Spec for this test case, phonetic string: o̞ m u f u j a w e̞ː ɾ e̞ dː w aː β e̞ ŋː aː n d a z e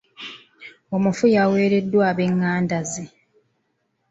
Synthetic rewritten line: o̞ m u f u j a w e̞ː ɾ e̞ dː w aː β e̞ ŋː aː n d a z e